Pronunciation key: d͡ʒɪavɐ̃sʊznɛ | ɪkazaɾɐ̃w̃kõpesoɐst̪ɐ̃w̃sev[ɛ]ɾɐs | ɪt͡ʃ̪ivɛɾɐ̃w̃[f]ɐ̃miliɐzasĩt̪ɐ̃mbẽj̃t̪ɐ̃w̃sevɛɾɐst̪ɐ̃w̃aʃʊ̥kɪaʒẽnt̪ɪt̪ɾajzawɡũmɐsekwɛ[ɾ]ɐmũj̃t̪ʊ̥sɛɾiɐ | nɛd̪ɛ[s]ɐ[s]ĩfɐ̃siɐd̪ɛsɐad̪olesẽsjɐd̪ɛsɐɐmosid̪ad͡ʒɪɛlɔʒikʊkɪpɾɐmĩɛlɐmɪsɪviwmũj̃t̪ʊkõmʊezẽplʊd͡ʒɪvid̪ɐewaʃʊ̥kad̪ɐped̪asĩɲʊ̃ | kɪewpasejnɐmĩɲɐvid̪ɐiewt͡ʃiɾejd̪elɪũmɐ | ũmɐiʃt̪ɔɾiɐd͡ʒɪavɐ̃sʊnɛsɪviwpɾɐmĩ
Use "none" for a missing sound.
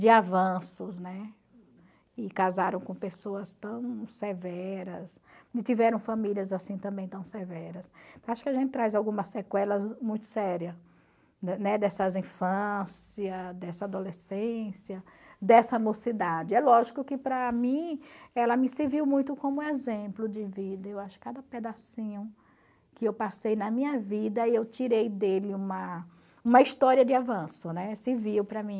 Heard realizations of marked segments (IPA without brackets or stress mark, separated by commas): ɛ, f, l, s, z